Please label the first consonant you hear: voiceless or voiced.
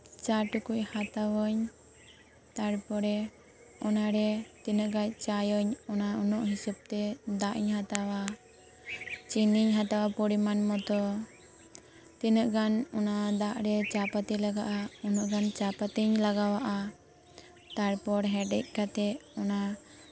voiceless